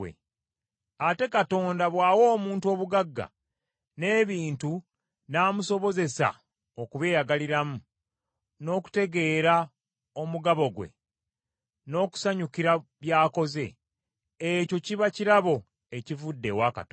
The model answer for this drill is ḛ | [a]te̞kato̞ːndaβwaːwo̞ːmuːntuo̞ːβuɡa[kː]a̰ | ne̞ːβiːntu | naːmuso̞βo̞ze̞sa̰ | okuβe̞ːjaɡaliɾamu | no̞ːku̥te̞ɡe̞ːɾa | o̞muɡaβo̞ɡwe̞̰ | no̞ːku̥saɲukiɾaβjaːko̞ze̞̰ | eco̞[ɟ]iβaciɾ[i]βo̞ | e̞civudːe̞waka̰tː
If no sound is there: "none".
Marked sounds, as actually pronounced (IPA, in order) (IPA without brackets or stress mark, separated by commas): a, ɡː, c, a